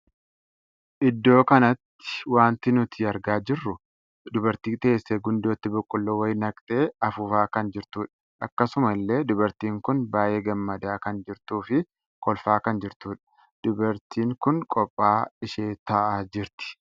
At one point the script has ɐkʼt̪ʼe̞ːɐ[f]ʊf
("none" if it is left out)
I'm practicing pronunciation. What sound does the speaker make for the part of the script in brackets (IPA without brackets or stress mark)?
f